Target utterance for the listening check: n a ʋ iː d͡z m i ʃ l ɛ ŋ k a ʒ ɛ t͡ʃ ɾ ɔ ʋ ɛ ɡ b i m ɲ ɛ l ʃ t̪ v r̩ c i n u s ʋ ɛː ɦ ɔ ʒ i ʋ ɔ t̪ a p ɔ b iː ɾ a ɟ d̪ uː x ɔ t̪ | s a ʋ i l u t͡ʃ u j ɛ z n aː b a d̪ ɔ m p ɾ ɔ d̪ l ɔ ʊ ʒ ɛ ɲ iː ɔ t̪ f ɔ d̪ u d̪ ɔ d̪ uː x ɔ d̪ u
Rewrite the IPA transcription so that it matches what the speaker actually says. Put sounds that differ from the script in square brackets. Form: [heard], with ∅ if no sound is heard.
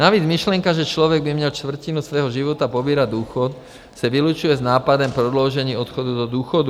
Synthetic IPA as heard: n a ʋ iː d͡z m i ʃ l ɛ ŋ k a ʒ ɛ t͡ʃ [l] ɔ ʋ ɛ ɡ b i m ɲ ɛ l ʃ t̪ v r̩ c i n u s ʋ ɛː ɦ ɔ ʒ i ʋ ɔ t̪ a p ɔ b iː ɾ a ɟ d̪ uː x ɔ t̪ | s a ʋ i l u t͡ʃ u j ɛ z n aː [p] a d̪ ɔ m p ɾ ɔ d̪ l ɔ ʊ ʒ ɛ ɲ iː ɔ t̪ [x] ɔ d̪ u d̪ ɔ d̪ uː x ɔ d̪ u